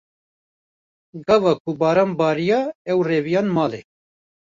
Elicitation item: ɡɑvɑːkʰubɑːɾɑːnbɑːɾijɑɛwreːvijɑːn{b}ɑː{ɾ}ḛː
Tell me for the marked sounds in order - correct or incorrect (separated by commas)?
incorrect, incorrect